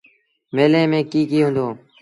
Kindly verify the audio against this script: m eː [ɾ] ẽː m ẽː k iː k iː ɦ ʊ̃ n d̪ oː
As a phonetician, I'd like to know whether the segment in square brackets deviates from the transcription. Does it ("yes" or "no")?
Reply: yes